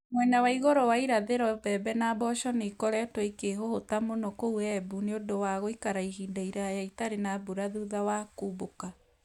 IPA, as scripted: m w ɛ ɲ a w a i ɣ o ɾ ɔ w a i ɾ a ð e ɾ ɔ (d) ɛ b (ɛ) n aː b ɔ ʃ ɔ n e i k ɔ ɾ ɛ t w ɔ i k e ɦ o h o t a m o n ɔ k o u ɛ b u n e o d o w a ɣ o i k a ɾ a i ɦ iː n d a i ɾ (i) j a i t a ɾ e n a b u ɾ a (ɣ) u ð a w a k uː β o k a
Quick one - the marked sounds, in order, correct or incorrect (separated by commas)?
incorrect, correct, incorrect, incorrect